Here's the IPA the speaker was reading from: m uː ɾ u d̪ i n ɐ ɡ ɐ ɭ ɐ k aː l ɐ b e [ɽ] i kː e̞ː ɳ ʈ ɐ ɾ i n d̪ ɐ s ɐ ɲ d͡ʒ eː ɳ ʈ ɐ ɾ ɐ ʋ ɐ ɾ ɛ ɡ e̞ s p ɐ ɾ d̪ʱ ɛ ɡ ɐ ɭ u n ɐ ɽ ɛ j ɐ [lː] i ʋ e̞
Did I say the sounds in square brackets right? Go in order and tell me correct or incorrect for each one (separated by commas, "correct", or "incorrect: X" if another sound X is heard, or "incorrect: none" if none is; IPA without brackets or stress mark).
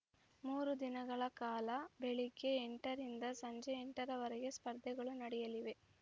incorrect: ɭ, incorrect: l